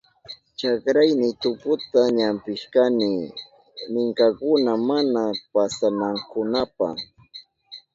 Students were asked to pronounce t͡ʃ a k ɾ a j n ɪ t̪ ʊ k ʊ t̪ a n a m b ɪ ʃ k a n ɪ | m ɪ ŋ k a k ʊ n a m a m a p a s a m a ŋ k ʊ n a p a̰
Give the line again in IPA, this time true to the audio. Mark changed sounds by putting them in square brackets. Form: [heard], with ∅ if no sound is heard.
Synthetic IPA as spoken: t͡ʃ a k ɾ a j n ɪ t̪ ʊ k ʊ t̪ a [ɲ] a m [p] ɪ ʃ k a n ɪ | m ɪ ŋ k a k ʊ n a m a [n] a p a s a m a ŋ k ʊ n a p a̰